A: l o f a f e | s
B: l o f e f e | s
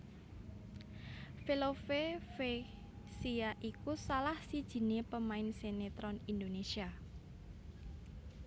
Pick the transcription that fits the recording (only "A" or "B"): B